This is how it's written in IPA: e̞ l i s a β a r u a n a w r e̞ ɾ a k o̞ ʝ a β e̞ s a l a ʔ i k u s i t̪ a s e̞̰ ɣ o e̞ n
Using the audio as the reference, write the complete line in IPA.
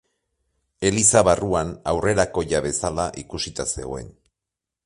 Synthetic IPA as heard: e̞ l i s a β a r u a n a w r e̞ ɾ a k o̞ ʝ a β e̞ s a l a ʔ i k u s i t̪ a s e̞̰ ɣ o e̞ n

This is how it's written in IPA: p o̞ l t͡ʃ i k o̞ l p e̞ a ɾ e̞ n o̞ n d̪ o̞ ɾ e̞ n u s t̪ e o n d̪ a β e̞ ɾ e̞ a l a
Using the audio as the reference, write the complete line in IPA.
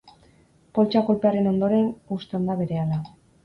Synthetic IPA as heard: p o̞ l t͡ʃ a k o̞ l p e̞ a ɾ e̞ n o̞ n d̪ o̞ ɾ e̞ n u s t̪ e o n d̪ a β e̞ ɾ e̞ a l a

